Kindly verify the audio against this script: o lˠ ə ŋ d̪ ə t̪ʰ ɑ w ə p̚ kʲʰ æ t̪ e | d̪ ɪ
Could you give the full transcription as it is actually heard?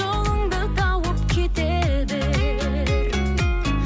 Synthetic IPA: o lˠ ə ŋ d̪ ə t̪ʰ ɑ w ə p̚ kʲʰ e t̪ e | d̪ ɪ